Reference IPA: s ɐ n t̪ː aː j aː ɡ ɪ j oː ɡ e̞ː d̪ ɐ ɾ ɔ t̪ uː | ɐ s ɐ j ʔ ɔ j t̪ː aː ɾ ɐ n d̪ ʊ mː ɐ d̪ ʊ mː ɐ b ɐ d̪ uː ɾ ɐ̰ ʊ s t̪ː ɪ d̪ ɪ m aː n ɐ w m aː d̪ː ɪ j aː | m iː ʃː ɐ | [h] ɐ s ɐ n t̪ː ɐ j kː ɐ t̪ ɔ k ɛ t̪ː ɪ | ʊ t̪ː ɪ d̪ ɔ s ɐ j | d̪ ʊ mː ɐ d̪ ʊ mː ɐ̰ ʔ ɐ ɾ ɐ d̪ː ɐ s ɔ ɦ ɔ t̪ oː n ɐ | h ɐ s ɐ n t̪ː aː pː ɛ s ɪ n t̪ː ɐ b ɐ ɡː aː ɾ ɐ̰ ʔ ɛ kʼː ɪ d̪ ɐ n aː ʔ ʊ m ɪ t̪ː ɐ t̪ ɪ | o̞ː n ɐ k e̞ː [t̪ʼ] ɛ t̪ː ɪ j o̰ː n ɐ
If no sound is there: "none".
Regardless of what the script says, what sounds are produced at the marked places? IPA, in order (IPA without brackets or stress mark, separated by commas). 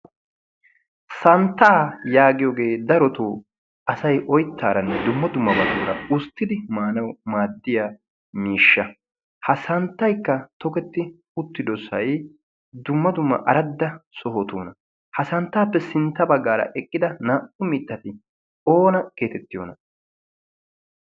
h, t̪